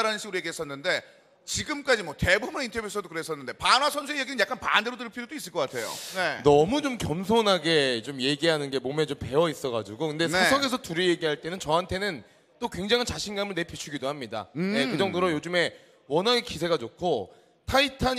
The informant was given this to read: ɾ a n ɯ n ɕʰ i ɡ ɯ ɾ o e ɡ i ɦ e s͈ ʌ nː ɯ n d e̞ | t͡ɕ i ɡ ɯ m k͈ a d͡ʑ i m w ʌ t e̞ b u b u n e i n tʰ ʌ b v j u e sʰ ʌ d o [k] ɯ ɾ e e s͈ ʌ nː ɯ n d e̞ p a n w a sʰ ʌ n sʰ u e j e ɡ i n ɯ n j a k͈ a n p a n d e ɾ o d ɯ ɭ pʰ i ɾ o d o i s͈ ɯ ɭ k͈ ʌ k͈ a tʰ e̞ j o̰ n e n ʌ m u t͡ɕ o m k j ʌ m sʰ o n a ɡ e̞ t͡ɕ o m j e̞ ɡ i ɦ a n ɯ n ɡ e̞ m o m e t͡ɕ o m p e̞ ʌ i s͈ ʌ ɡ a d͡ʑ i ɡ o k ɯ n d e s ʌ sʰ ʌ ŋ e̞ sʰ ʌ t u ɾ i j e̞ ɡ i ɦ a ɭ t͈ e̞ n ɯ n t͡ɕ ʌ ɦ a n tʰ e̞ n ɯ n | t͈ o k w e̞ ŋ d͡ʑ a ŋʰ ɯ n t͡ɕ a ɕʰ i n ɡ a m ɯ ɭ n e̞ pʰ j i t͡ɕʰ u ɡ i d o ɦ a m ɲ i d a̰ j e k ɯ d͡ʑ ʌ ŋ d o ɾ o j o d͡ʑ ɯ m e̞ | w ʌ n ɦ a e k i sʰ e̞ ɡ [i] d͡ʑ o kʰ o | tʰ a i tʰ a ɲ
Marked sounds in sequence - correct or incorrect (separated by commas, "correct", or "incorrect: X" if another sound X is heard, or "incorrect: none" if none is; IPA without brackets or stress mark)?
correct, incorrect: a